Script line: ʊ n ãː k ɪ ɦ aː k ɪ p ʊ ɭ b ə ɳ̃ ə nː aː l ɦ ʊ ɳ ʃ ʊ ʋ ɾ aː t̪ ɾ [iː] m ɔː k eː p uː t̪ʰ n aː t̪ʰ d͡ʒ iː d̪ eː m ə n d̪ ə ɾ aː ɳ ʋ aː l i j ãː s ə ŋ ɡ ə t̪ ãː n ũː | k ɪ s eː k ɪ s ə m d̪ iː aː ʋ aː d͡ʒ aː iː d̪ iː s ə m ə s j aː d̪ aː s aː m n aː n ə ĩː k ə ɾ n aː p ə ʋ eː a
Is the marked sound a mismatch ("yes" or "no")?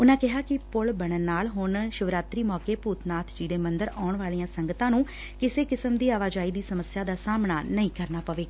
no